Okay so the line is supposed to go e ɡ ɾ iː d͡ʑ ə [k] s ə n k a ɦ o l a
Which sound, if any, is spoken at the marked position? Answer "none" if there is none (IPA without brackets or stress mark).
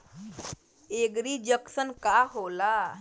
k